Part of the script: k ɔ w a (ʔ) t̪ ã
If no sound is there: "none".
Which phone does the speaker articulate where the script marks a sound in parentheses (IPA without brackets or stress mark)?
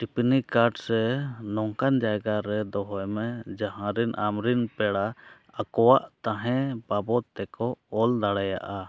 ʔ